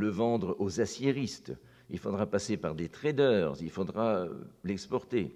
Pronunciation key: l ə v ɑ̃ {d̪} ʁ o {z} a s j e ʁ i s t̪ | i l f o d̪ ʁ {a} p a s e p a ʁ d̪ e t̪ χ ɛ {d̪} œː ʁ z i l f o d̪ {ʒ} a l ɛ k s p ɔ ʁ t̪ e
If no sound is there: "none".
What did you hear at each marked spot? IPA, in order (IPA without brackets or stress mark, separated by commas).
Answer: d̪, z, a, d̪, ʁ